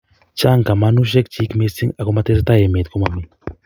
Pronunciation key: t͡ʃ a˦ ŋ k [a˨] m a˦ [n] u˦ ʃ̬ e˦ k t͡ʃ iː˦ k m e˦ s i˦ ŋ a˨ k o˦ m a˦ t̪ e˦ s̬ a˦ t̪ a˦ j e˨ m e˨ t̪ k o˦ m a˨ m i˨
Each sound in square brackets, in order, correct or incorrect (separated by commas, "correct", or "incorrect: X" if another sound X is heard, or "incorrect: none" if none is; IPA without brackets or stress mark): correct, correct